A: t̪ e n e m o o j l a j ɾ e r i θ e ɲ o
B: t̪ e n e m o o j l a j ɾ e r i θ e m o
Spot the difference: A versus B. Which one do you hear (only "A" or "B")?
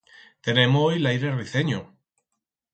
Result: A